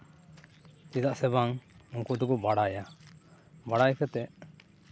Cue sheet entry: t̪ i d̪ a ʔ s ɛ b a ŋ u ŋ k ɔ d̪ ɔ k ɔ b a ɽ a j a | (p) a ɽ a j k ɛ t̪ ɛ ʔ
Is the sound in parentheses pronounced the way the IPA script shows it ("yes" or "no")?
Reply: no